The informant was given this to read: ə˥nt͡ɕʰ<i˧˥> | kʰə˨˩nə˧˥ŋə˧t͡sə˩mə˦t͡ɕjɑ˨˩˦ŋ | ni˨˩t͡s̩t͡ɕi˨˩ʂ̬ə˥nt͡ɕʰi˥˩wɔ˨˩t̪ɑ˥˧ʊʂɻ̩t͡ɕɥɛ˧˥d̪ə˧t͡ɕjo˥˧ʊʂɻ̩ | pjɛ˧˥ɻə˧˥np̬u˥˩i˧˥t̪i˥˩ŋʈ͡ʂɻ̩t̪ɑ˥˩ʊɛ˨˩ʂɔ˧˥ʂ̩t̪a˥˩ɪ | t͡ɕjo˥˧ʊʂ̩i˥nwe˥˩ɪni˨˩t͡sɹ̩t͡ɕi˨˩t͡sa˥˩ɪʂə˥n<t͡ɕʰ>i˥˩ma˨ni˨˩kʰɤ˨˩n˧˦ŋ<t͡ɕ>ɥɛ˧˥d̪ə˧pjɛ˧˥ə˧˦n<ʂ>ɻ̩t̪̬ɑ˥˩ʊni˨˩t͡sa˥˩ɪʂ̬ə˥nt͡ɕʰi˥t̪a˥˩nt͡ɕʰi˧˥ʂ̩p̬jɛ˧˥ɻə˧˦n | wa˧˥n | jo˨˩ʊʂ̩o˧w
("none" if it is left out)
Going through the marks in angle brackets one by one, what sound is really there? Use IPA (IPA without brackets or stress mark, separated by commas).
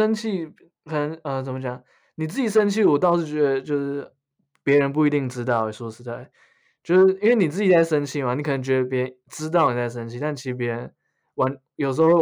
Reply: i˥˩, t͡ɕʰ, t͡ɕ, ʈ͡ʂ